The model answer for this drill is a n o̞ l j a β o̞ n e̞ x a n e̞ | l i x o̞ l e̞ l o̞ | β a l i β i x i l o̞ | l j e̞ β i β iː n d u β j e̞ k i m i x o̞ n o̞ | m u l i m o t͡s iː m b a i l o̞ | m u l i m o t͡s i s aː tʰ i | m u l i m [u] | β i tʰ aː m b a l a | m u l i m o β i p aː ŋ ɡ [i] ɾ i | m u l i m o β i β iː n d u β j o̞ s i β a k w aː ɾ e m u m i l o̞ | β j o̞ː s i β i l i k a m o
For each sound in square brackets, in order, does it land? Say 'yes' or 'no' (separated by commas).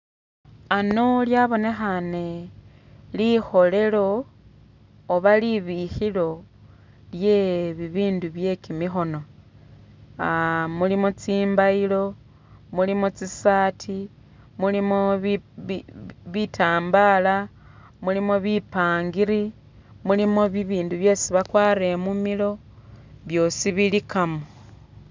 no, yes